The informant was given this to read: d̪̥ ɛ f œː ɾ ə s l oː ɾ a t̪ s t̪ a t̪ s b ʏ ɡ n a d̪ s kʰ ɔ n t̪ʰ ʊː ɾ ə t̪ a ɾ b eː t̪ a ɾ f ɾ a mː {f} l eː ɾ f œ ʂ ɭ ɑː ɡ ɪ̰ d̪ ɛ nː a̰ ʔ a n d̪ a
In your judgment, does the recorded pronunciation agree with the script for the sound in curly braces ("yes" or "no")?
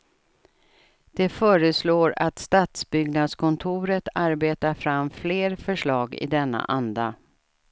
yes